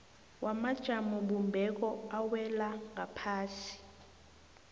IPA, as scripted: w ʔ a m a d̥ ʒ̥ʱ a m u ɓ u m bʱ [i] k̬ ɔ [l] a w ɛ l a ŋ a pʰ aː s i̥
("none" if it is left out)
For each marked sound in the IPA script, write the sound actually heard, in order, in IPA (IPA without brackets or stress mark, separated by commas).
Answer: ɛ, none